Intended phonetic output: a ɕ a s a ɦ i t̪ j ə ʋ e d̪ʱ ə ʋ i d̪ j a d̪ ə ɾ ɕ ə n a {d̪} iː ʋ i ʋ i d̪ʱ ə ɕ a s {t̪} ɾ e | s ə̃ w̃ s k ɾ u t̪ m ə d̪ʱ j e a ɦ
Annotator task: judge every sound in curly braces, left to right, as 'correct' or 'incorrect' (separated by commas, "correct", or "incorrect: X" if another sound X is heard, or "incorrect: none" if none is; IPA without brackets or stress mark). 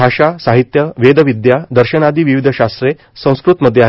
correct, correct